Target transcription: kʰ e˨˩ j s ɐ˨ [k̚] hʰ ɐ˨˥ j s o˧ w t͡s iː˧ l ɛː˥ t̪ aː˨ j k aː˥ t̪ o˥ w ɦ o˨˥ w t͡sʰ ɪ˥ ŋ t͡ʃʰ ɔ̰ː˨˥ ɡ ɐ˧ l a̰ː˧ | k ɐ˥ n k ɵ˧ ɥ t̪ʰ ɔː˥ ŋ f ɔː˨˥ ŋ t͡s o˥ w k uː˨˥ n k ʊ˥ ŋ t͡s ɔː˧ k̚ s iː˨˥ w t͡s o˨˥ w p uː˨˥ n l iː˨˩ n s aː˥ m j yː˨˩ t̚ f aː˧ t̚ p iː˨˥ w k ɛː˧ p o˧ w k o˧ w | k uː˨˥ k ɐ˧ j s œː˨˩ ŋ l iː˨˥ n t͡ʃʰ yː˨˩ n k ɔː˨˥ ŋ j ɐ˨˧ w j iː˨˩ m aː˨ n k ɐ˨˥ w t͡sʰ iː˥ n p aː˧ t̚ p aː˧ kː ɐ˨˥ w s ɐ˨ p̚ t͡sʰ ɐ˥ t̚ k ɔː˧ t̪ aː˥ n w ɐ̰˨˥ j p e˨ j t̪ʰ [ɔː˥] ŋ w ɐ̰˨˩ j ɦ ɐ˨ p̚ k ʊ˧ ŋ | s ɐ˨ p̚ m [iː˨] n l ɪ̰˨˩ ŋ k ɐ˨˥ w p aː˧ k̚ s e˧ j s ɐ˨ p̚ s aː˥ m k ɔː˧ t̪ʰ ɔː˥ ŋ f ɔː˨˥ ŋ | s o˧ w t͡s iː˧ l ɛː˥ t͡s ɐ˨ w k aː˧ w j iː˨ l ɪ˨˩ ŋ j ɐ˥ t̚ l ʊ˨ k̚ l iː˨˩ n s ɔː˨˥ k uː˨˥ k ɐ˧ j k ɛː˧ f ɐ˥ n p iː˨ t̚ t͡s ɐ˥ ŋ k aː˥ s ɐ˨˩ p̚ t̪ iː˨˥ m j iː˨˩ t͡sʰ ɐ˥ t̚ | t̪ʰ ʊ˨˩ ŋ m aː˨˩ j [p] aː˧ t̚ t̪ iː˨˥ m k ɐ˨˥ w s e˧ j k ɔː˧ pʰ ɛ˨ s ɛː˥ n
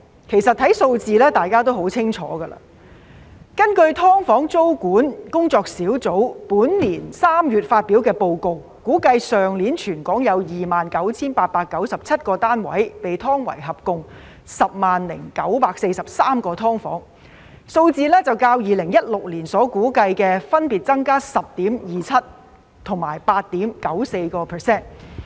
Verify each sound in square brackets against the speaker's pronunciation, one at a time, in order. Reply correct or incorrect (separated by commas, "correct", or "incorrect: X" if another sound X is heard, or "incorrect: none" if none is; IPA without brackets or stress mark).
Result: incorrect: t̚, correct, incorrect: aː˨, correct